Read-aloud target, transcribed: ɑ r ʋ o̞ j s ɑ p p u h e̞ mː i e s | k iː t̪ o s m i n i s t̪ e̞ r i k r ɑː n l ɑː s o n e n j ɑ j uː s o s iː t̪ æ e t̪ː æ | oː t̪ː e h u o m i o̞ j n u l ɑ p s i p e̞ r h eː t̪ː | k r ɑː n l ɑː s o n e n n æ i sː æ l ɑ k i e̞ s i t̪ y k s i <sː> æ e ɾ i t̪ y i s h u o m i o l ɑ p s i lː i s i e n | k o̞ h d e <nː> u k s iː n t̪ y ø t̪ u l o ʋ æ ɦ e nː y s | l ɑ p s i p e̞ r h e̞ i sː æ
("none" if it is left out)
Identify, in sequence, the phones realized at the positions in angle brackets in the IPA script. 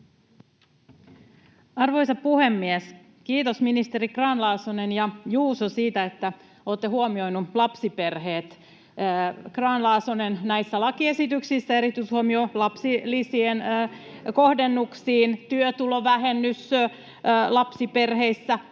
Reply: sː, nː

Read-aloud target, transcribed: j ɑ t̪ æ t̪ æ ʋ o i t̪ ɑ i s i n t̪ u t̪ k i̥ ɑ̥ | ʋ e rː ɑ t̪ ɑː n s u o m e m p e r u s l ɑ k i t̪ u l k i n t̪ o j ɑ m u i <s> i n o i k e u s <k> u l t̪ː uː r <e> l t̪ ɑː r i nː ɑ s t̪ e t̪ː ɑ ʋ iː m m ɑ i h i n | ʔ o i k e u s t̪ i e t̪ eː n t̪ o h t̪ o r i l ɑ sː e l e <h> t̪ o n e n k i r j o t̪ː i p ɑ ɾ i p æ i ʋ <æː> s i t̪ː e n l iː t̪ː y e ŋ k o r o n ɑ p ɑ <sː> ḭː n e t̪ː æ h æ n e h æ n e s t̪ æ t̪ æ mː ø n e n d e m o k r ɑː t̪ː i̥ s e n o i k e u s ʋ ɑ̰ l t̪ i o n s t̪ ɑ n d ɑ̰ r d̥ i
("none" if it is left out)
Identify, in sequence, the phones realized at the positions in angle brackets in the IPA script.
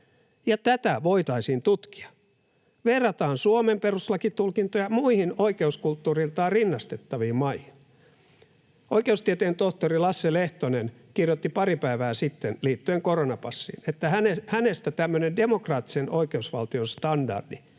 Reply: h, k, i, h, æː, sː

